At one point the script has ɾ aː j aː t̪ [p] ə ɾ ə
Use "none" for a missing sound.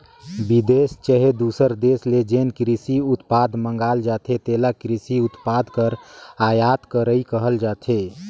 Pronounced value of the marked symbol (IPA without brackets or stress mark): k